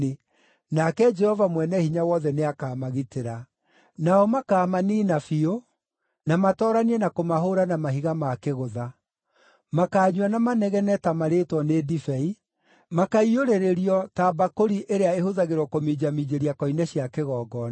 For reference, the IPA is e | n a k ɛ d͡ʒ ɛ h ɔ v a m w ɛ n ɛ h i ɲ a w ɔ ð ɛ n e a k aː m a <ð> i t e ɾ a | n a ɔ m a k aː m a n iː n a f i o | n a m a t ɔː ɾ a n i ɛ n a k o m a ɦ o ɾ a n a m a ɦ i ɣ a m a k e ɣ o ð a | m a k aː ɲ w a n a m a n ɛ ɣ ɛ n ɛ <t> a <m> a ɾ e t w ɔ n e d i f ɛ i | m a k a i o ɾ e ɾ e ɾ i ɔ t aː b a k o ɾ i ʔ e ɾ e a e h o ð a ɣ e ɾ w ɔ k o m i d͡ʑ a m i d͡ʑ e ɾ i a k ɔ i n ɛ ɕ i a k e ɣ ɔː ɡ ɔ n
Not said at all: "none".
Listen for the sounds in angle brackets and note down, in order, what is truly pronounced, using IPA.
ɣ, t, m

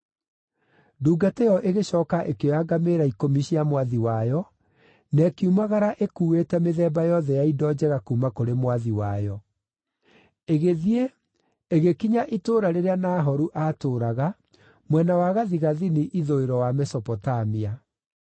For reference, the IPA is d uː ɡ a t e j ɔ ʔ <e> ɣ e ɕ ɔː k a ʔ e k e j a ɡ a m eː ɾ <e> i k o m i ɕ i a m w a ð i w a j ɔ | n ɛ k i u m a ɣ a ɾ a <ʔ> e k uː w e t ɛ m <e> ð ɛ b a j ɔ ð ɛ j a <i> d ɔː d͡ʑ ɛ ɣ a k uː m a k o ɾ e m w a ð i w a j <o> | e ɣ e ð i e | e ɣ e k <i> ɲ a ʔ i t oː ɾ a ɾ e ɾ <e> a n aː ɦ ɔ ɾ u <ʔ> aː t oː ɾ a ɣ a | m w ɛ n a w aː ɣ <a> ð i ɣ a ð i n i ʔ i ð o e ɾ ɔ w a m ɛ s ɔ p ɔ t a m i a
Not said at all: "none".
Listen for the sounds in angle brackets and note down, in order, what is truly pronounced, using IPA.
e, a, ʔ, e, i, ɔ, i, e, ʔ, a

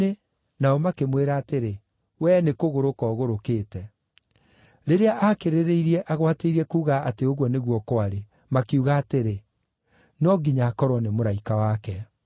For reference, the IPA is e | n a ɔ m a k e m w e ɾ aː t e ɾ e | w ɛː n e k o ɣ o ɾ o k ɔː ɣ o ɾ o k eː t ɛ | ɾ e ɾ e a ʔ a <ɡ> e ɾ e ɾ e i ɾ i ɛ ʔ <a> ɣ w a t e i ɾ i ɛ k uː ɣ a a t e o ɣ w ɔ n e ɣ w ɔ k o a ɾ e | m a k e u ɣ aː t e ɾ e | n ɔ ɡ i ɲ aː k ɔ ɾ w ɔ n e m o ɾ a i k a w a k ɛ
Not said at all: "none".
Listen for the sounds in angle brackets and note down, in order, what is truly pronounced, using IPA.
k, a

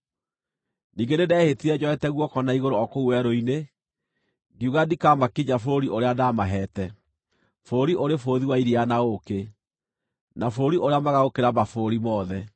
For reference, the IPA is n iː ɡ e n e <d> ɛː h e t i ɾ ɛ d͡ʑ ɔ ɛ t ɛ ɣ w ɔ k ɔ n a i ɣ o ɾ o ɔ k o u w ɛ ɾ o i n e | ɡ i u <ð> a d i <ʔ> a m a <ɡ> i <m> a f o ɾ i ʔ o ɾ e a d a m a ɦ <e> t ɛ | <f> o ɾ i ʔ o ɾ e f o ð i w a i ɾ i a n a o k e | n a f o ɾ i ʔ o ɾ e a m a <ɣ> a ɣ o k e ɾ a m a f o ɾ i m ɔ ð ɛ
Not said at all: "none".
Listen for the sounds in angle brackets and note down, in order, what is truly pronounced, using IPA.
d, ɣ, k, k, ɲ, ɛ, f, ɣ

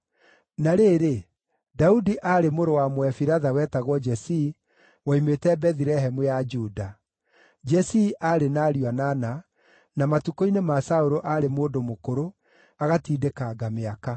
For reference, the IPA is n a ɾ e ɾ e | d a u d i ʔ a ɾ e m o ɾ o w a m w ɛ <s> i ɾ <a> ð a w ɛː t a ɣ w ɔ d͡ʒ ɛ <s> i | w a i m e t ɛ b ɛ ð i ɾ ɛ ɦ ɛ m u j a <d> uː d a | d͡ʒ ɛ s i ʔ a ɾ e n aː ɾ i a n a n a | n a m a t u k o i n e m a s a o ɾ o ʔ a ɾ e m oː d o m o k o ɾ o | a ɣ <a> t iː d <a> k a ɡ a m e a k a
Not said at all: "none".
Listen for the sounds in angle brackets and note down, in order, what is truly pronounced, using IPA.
f, a, s, d͡ʒ, a, e

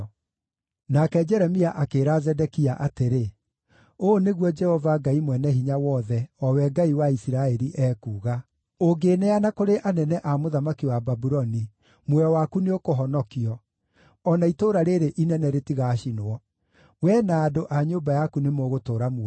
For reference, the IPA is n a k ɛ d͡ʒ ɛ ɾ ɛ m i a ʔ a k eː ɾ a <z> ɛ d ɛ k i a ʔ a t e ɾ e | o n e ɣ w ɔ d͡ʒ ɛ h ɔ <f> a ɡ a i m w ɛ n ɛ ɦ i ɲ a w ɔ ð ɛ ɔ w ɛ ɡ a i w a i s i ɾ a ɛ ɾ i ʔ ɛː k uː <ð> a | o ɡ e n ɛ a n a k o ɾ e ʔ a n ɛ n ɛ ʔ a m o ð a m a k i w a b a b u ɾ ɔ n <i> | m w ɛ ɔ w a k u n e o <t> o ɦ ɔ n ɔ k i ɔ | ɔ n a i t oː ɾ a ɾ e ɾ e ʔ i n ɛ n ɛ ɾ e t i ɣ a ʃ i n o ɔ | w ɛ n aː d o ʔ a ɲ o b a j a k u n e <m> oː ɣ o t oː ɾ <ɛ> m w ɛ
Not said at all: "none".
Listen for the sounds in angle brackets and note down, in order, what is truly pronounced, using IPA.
z, v, ɣ, i, k, m, a

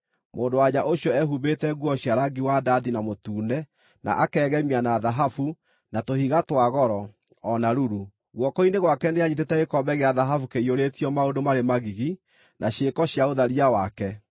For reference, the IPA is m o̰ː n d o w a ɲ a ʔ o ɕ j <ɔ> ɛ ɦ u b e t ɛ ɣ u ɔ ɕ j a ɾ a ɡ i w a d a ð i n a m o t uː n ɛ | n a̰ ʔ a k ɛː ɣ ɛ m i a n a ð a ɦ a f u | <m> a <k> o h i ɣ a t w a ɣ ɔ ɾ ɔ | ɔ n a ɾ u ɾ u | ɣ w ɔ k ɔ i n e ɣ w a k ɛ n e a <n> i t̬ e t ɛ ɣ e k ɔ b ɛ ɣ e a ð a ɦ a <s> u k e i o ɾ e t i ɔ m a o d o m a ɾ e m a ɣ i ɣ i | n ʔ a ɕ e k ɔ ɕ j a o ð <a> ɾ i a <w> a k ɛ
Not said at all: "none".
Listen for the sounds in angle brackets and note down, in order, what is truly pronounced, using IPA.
ɔ, n, t, ɲ, f, a, w

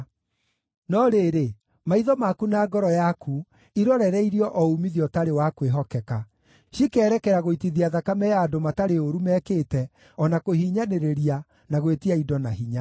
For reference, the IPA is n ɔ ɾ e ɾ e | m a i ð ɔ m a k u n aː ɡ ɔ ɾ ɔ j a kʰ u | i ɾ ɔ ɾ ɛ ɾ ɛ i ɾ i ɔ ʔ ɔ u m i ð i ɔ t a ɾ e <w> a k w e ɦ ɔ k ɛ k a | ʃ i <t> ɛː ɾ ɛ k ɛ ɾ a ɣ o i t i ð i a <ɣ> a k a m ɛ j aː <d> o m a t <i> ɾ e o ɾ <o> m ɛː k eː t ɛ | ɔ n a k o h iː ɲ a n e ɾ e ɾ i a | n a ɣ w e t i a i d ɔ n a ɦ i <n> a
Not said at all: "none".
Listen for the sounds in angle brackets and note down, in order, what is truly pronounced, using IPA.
w, k, ð, d, a, u, ɲ

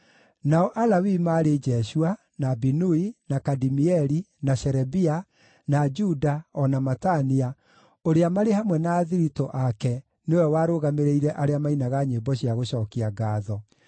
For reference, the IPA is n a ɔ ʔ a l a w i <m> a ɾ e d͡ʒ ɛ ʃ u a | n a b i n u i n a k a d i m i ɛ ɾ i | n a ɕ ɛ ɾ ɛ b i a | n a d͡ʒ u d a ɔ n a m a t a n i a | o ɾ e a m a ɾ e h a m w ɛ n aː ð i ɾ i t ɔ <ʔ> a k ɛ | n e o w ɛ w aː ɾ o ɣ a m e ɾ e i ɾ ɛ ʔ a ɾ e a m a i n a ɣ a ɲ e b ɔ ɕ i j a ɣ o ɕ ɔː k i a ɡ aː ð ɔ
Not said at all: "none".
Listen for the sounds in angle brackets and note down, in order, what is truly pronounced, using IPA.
m, ʔ

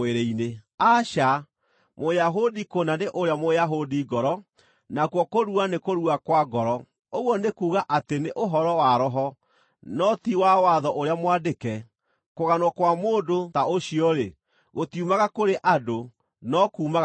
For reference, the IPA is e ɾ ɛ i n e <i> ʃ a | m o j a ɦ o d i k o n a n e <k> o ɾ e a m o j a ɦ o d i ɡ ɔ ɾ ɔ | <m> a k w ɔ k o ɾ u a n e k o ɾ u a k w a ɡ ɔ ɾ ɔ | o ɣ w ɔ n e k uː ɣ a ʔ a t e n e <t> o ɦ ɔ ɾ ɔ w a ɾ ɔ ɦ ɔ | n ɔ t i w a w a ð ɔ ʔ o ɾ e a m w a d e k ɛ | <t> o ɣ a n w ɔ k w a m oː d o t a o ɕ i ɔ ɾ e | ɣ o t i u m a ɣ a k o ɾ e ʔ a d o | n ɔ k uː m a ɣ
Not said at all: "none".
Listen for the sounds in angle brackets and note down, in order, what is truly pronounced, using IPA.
a, ʔ, n, ʔ, k

